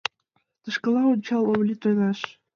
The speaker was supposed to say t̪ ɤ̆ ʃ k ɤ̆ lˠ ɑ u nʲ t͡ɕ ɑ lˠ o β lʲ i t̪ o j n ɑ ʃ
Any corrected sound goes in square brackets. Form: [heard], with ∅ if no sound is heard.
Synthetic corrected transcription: t̪ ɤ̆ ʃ k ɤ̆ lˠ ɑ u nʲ t͡ɕ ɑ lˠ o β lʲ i t̪ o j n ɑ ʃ